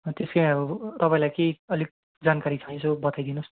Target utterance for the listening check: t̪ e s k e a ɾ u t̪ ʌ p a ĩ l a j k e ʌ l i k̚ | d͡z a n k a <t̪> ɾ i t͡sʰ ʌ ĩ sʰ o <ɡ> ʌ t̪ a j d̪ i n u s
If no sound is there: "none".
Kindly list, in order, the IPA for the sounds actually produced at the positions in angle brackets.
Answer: none, b

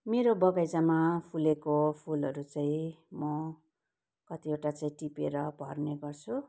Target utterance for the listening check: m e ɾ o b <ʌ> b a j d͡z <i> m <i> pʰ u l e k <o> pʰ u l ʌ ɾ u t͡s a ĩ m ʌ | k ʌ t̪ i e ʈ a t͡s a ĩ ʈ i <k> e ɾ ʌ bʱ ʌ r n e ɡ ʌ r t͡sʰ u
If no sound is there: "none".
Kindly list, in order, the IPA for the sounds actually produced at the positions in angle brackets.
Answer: ʌ, a, a, o, p

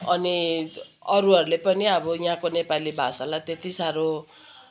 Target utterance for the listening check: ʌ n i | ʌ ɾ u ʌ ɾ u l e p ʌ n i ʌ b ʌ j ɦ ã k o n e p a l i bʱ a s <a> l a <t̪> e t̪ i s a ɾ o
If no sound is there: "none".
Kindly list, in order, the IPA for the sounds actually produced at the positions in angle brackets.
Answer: a, t̪

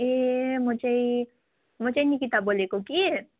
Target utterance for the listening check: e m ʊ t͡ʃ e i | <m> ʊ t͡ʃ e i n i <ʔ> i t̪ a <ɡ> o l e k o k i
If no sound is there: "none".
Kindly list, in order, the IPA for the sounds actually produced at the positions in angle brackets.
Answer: m, k, b

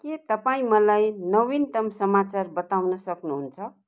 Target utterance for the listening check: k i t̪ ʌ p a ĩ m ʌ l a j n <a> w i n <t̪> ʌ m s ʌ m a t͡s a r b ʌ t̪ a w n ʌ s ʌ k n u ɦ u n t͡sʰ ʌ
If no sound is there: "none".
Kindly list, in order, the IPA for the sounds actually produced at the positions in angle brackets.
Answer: ʌ, t̪

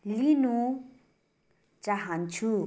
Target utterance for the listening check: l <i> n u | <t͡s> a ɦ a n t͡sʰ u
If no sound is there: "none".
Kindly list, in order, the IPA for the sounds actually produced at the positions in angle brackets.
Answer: i, t͡s

